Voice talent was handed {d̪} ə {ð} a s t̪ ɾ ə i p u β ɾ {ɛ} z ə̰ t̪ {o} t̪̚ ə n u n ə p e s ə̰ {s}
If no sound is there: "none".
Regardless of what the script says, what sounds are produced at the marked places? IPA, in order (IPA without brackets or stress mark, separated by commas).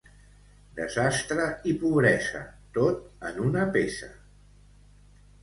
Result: d̪, z, ɛ, o, none